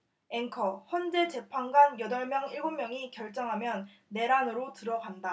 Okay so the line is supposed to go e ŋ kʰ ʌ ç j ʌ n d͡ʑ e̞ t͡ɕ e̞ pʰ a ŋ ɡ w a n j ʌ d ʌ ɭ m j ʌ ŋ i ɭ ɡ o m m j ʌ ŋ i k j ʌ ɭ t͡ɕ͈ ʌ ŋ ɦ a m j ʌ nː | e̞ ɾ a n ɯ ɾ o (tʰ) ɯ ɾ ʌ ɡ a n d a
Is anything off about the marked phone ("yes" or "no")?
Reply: yes